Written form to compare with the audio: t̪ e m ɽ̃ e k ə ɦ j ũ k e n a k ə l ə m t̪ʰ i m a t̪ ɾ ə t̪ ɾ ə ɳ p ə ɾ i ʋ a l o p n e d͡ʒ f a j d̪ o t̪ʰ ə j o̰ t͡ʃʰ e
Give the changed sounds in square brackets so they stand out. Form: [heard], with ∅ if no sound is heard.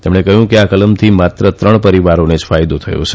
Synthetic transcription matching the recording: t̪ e m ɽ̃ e k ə ɦ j ũ k e [∅] a k ə l ə m t̪ʰ i m a t̪ ɾ ə t̪ ɾ ə ɳ p ə ɾ i ʋ a [ɾ] o [∅] n e d͡ʒ f a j d̪ o t̪ʰ ə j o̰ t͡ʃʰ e